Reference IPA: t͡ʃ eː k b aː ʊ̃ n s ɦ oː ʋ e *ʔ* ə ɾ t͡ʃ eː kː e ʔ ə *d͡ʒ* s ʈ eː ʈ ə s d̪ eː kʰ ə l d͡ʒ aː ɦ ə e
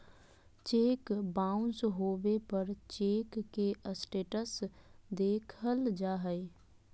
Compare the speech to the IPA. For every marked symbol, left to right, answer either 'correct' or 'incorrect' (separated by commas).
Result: incorrect, incorrect